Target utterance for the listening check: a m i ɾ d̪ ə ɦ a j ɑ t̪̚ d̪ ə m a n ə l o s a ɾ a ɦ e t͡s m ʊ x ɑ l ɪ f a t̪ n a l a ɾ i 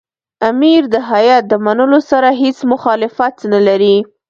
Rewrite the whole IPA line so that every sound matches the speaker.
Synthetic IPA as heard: a m i ɾ d̪ ə ɦ a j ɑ t̪̚ d̪ ə m a n ə l o s a ɾ a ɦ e t͡s m ʊ x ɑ l ɪ f a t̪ n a l a ɾ i